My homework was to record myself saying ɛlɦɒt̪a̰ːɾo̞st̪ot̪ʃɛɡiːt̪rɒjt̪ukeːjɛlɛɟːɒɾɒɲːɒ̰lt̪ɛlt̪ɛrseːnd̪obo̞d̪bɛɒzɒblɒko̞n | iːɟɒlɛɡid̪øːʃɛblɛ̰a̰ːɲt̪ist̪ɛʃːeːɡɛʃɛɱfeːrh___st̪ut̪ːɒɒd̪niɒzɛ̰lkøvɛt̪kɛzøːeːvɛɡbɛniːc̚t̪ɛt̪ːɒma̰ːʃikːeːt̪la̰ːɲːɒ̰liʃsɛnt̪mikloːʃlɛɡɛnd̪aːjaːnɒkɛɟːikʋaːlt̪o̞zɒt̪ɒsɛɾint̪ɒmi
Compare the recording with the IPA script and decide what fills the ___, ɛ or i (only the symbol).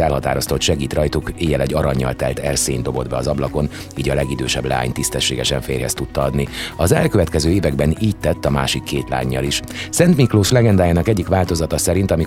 ɛ